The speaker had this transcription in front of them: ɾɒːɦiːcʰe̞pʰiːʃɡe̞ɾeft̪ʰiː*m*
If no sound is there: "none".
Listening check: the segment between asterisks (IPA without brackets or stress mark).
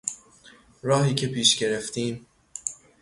m